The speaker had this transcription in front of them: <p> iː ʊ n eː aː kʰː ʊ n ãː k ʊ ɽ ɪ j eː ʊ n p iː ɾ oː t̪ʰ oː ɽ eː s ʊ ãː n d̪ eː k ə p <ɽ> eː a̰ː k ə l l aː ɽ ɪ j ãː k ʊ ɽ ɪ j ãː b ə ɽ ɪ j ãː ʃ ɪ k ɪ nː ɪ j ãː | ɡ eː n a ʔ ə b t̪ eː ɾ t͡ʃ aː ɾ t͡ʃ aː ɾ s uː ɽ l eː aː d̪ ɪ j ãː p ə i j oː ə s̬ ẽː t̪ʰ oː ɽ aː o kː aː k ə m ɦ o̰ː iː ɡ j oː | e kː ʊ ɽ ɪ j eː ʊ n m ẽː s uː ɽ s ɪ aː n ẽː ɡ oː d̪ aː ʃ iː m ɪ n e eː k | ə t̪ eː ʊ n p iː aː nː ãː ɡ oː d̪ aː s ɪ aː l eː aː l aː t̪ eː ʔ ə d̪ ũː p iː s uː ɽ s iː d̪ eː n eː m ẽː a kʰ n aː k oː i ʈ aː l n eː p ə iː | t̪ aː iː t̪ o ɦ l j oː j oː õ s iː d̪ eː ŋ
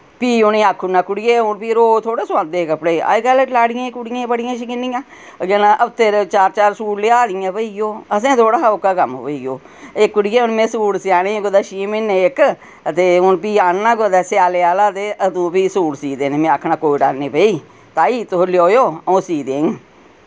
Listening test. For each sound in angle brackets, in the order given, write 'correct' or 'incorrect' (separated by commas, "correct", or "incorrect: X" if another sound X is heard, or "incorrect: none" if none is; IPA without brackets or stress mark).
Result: correct, correct